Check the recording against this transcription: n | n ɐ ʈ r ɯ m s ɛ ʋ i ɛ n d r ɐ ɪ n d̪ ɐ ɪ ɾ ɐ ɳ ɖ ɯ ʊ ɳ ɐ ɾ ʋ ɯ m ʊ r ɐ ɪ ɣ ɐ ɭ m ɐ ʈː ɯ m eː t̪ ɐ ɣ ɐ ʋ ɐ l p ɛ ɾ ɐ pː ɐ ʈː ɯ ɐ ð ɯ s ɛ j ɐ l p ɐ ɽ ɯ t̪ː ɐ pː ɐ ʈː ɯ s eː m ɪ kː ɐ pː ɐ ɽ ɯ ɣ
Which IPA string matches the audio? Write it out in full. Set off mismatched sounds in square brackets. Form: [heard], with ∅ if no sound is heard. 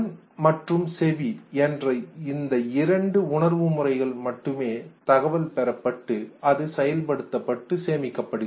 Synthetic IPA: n | [m] ɐ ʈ r ɯ m s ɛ ʋ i ɛ n d r ɐ ɪ n d̪ ɐ ɪ ɾ ɐ ɳ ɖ ɯ ʊ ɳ ɐ ɾ ʋ ɯ m ʊ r ɐ ɪ ɣ ɐ ɭ m ɐ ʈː ɯ m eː t̪ ɐ ɣ ɐ ʋ ɐ l p ɛ ɾ ɐ pː ɐ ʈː ɯ ɐ ð ɯ s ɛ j ɐ l p ɐ ɽ ɯ t̪ː ɐ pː ɐ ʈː ɯ s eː m ɪ kː ɐ pː ɐ ɽ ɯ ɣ